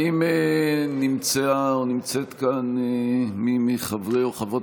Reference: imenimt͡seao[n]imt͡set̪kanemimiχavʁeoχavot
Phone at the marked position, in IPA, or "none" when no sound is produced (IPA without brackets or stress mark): n